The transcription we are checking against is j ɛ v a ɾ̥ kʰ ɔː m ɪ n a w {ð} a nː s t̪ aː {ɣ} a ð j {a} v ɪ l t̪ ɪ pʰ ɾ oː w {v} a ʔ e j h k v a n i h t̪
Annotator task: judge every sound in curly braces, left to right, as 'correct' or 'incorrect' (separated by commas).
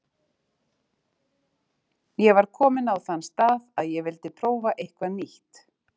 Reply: incorrect, incorrect, incorrect, correct